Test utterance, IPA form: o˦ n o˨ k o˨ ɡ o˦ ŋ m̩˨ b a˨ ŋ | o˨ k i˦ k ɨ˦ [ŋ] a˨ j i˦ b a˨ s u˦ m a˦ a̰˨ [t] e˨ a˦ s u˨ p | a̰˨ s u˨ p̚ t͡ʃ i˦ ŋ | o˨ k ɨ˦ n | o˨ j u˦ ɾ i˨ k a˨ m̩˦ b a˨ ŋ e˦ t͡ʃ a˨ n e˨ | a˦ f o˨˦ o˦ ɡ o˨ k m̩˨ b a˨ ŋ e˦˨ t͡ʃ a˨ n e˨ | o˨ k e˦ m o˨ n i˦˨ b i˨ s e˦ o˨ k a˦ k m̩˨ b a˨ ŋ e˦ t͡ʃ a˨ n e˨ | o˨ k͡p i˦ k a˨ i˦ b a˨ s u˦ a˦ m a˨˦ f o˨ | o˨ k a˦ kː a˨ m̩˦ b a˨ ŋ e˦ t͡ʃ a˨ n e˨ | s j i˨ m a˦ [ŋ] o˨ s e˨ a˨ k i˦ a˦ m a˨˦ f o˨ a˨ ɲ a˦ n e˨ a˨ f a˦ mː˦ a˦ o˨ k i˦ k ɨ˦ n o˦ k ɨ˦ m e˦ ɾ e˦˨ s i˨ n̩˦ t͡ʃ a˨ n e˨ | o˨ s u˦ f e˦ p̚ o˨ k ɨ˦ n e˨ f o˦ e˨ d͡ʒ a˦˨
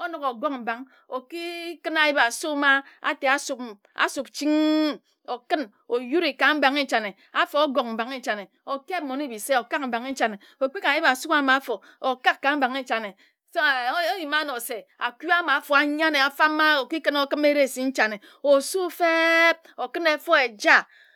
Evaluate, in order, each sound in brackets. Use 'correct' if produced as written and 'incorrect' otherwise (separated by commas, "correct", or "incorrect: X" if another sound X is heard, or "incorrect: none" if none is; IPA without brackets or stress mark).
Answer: incorrect: n, correct, incorrect: n